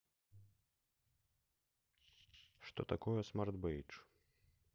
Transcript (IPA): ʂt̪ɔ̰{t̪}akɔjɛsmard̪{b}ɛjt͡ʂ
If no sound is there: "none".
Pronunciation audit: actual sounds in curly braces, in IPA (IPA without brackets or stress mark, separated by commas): t̪, b